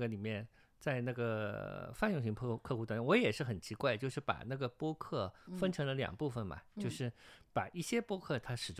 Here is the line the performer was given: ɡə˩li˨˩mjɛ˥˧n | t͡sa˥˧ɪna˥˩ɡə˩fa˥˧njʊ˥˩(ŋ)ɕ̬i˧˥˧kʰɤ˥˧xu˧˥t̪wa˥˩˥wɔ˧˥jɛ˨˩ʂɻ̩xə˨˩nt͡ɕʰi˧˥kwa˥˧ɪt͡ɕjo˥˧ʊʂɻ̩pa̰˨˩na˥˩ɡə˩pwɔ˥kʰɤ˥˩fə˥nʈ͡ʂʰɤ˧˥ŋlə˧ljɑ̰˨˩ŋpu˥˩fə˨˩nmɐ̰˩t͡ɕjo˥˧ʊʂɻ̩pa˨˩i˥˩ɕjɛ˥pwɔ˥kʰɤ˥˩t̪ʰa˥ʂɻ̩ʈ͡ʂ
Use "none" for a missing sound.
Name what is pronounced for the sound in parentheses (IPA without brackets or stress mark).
ŋ